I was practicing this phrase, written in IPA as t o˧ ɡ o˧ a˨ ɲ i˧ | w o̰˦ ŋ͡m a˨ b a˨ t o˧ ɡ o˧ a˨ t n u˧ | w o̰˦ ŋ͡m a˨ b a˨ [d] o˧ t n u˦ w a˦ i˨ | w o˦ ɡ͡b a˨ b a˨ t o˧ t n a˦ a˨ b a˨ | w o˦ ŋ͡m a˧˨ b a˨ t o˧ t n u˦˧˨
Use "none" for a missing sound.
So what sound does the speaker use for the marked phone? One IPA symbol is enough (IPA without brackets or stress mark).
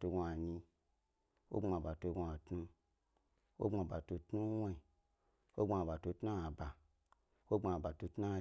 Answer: t